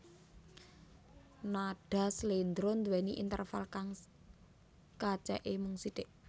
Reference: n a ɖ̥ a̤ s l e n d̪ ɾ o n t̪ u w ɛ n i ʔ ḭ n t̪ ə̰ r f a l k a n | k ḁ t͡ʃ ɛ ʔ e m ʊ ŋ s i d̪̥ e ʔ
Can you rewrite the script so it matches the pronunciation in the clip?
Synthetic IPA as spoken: n a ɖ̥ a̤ s l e n d̪ ɾ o n d̪ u w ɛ n i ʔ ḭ n t̪ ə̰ r f a l k a ŋ | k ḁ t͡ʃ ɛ ʔ e m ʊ ŋ s i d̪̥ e ʔ